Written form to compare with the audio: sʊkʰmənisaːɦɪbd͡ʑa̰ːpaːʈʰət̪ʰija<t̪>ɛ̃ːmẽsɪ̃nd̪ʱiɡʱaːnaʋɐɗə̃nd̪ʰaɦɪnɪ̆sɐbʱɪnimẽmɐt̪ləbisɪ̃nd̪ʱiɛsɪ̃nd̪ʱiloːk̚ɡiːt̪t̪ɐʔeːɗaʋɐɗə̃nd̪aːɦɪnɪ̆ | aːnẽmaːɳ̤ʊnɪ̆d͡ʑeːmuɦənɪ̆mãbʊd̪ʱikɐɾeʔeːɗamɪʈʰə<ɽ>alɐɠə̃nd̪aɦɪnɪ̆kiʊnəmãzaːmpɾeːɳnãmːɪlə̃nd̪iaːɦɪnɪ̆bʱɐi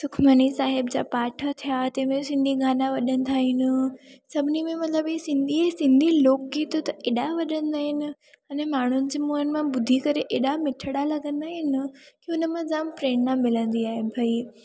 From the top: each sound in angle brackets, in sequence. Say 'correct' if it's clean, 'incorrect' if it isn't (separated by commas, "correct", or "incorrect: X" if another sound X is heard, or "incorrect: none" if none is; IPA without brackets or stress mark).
correct, correct